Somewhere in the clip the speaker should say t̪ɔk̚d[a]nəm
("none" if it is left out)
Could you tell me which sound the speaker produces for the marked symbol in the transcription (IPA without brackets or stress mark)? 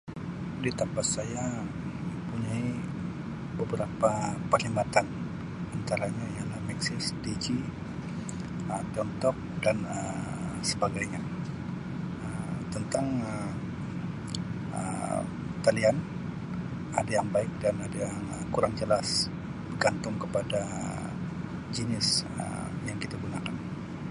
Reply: a